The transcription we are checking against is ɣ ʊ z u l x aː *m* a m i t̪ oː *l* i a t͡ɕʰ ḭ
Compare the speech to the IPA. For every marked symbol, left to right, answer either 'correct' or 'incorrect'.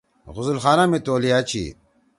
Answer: incorrect, correct

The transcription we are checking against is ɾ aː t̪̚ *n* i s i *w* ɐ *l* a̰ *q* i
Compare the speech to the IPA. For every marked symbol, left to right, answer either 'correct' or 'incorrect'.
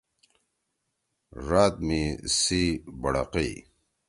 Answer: incorrect, incorrect, incorrect, correct

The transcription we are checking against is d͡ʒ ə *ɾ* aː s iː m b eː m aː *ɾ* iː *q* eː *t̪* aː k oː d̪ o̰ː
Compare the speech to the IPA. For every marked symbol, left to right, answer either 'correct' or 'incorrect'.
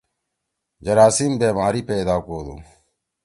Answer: correct, correct, incorrect, incorrect

